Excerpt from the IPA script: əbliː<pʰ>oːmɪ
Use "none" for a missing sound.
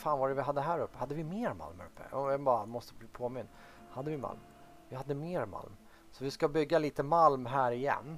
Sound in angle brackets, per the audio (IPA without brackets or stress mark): pʰ